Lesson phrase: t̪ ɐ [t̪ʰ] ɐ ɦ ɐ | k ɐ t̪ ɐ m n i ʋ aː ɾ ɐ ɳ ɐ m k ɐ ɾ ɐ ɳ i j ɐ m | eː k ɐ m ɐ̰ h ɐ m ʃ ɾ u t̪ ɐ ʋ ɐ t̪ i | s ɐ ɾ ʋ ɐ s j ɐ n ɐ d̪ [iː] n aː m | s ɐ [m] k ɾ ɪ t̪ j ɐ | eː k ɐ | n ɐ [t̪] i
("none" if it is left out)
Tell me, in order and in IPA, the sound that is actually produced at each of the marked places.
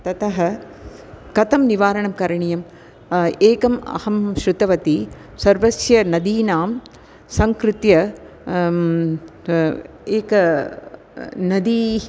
t̪, iː, ŋ, d̪

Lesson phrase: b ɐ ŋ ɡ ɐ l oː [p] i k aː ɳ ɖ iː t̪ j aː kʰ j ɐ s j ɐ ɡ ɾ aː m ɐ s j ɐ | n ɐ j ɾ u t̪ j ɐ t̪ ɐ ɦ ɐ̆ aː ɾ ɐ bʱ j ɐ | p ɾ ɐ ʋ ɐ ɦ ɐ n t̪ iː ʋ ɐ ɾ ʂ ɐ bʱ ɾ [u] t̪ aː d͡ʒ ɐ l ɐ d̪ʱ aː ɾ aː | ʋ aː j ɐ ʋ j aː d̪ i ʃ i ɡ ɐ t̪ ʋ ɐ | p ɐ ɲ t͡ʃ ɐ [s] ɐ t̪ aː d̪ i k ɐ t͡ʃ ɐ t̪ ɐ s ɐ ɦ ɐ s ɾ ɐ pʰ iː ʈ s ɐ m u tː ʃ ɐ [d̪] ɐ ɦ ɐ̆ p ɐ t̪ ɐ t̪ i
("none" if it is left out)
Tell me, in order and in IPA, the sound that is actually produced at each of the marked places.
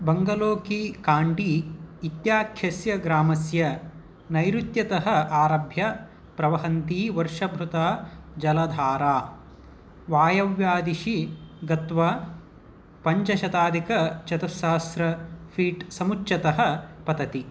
k, u, ʃ, t̪

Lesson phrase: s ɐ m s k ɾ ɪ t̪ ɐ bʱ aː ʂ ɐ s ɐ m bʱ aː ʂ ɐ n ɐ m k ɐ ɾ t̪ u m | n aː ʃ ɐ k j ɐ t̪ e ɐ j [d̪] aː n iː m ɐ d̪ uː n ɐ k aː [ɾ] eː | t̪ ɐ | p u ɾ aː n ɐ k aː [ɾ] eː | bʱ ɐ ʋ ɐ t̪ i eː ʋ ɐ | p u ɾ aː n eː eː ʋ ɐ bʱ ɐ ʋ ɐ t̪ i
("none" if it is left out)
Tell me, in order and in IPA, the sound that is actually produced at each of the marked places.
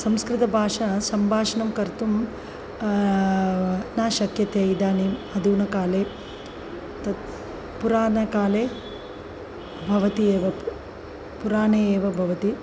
d̪, l, l

